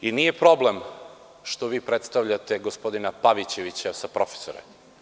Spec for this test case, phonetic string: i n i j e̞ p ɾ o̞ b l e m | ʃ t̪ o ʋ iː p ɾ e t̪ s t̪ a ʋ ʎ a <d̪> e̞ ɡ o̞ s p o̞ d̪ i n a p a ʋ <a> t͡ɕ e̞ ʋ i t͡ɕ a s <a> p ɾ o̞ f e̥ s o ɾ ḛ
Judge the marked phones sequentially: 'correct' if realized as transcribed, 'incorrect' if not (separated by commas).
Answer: incorrect, incorrect, correct